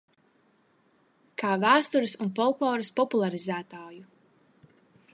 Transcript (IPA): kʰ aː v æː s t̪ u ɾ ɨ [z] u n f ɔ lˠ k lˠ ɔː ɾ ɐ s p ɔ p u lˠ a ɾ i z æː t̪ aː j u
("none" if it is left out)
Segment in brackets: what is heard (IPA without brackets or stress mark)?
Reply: s